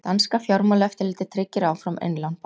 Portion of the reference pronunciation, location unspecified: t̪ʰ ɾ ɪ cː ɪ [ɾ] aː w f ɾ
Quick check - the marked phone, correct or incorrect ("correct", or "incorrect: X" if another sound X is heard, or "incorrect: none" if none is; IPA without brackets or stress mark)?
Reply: correct